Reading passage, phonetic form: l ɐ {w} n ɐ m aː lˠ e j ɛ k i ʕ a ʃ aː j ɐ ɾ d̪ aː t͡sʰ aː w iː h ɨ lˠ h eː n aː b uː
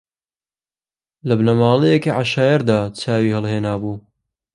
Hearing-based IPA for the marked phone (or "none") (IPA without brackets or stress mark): b